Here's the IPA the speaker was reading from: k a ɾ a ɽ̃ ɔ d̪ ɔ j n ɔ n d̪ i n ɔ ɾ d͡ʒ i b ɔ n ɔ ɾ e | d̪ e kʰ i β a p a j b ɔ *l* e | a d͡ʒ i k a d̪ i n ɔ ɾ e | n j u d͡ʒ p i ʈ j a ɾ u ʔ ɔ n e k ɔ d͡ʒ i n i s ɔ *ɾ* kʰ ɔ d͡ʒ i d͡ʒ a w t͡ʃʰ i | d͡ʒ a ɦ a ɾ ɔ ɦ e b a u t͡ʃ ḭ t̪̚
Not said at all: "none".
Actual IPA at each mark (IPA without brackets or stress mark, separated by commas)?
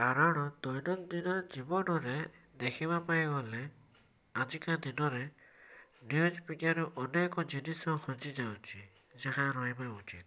l, none